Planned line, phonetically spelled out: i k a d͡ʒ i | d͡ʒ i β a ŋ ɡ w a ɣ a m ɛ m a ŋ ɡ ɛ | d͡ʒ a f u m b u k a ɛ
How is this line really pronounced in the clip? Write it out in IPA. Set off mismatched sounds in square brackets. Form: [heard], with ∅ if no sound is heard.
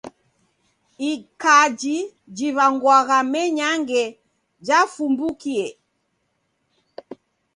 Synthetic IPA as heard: i k a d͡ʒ i | d͡ʒ i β a ŋ ɡ w a ɣ a m ɛ [ɲ] a ŋ ɡ ɛ | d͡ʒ a f u m b u k [i] ɛ